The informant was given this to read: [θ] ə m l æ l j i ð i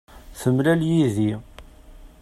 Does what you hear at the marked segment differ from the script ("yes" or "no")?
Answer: no